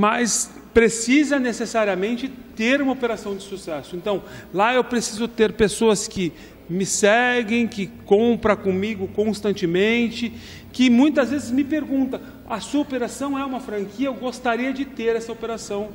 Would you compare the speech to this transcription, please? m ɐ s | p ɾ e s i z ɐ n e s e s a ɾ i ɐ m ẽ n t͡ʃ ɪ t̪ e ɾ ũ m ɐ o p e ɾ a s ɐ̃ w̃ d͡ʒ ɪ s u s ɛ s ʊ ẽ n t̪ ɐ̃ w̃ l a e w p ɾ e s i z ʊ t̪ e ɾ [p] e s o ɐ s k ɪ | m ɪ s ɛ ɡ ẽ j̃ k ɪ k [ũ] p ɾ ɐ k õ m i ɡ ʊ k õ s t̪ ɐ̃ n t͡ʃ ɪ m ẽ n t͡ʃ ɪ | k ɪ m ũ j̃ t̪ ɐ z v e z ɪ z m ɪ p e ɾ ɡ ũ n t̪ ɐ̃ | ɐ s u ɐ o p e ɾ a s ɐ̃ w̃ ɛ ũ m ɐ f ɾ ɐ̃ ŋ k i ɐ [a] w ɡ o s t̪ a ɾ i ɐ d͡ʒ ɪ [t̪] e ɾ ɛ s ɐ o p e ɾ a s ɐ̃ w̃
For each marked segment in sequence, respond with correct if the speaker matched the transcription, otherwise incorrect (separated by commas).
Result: correct, incorrect, incorrect, correct